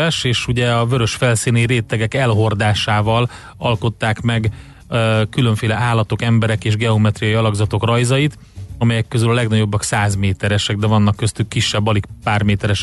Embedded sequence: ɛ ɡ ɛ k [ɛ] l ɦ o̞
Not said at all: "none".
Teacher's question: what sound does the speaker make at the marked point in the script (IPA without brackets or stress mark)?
ɛ